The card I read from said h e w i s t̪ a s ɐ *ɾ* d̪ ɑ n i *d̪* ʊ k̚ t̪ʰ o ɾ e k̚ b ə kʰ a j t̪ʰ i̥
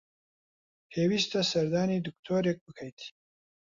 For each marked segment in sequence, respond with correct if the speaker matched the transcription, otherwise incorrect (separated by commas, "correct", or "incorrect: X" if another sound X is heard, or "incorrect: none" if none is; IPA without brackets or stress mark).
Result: correct, correct